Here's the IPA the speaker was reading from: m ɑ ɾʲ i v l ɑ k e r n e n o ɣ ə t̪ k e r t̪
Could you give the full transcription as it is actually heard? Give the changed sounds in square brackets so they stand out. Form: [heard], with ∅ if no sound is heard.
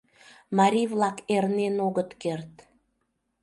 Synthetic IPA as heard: m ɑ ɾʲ i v l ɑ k e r n e n o ɣ ə t̪ k e r t̪

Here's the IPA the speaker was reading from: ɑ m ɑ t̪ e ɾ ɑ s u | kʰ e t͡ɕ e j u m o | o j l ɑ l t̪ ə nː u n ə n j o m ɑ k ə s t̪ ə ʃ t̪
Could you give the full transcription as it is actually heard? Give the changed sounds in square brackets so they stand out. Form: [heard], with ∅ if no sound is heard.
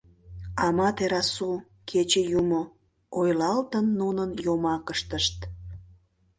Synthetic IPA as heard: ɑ m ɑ t̪ e ɾ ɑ s u | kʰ e t͡ɕ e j u m o | o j l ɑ l t̪ ə nː u n ə n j o m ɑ k ə [ʃ] t̪ ə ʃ t̪

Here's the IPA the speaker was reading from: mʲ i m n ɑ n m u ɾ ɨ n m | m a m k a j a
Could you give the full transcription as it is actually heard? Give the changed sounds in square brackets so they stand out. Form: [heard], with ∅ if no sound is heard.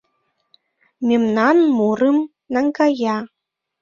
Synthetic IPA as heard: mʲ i m n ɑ n m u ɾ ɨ [∅] m | [n] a [ŋ] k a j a

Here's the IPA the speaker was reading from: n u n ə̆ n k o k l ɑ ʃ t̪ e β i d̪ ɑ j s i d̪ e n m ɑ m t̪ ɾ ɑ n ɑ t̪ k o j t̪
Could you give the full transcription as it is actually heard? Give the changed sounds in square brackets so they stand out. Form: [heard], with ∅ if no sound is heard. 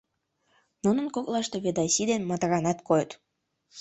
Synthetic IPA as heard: n u n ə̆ n k o k l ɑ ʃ t̪ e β [e] d̪ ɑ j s i d̪ e n m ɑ [∅] t̪ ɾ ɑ n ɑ t̪ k o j t̪

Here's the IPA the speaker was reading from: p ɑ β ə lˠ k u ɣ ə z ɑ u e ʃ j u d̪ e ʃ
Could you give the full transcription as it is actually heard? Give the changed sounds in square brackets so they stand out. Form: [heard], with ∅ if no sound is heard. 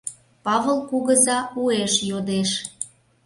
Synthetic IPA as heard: p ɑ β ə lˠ k u ɣ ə z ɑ u e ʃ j [o] d̪ e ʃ

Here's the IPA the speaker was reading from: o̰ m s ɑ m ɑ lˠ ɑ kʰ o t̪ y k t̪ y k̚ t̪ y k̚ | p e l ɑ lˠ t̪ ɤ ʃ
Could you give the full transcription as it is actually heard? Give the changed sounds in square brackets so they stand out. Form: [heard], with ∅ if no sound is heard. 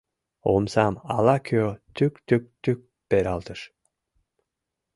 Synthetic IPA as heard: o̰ m s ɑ m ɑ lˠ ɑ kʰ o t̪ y k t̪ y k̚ t̪ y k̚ | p e [ɾ] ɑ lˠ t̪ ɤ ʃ

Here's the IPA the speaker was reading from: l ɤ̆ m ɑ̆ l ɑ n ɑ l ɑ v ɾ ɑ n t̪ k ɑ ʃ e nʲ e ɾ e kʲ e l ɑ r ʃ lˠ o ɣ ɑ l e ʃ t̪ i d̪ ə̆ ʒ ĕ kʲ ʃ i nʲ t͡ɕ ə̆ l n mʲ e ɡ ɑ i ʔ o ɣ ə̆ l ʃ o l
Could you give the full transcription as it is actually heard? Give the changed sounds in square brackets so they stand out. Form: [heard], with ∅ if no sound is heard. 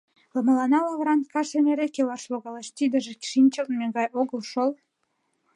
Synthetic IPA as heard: l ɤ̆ m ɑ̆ l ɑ n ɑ l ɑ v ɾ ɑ n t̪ k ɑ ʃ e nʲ e ɾ e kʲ e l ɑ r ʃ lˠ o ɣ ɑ l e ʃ t̪ i d̪ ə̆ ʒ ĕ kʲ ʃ i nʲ t͡ɕ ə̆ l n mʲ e ɡ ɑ [j] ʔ o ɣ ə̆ l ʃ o l

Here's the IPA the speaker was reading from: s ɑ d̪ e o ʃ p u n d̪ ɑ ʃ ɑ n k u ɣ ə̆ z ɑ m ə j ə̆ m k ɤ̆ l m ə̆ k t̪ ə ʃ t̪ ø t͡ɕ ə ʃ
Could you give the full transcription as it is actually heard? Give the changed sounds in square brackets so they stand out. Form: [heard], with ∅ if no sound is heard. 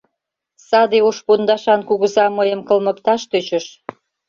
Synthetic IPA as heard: s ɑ d̪ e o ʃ p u n d̪ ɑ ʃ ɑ n k u ɣ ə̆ z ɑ m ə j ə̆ m k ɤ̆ l m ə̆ k t̪ [ɑ] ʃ t̪ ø t͡ɕ ə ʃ

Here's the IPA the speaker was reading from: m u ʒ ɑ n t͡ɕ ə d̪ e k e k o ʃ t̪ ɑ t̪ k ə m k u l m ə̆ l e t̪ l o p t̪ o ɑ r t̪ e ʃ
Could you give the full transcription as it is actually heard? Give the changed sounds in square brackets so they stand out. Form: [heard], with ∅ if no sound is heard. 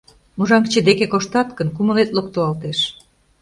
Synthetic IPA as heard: m u ʒ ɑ [ŋ] t͡ɕ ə d̪ e k e k o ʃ t̪ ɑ t̪ k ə [n] k u [∅] m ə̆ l e t̪ l o [k] t̪ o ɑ [l] t̪ e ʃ

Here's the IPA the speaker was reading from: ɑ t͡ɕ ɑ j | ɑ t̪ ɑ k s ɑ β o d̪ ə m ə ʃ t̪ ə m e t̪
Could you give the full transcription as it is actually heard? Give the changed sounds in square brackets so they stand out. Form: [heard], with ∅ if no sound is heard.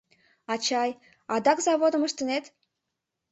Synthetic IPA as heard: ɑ t͡ɕ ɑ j | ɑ [d̪] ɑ k [z] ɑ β o d̪ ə m ə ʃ t̪ ə [n] e t̪

